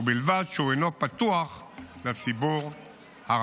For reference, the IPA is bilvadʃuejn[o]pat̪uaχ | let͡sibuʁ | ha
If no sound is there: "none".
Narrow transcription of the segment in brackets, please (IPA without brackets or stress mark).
o